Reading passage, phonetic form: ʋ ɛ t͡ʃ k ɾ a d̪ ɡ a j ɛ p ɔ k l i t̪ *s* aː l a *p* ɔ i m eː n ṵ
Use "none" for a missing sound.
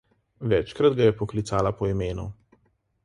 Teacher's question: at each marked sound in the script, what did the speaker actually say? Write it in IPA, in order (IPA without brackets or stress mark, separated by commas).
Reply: s, p